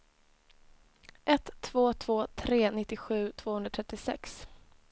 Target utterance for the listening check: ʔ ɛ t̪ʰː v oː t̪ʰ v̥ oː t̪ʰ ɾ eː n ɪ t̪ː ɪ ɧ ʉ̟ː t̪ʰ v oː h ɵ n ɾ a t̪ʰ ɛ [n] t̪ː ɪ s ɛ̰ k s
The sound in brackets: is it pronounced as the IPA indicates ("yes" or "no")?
no